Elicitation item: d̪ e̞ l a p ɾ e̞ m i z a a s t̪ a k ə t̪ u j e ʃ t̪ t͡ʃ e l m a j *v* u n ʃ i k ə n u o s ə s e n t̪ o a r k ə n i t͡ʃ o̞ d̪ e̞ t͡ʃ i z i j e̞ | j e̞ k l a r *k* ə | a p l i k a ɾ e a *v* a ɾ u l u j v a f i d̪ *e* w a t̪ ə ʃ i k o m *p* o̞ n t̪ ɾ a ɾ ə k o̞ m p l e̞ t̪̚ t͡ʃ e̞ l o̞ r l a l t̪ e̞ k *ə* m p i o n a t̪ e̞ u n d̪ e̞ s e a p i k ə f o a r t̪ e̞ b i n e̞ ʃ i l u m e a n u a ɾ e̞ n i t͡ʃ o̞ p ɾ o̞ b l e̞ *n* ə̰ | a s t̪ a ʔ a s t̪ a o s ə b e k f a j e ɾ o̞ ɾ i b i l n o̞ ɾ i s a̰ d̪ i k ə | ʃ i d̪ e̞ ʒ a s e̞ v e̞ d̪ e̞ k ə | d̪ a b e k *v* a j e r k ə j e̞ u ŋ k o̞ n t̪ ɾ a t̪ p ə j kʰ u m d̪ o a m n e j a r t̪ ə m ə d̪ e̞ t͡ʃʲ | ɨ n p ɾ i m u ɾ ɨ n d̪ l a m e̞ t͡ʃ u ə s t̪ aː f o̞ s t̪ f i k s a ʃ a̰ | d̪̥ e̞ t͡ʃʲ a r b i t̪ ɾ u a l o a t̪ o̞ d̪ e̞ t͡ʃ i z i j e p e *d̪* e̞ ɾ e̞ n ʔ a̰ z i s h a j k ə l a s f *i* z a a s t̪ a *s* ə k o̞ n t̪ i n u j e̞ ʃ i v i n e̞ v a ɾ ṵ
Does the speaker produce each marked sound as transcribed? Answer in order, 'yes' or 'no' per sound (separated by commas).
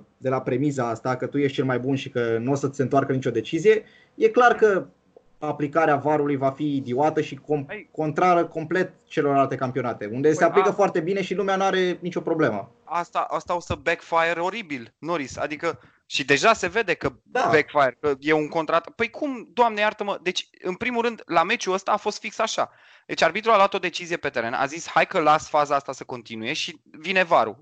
no, yes, yes, no, no, no, no, no, no, no, yes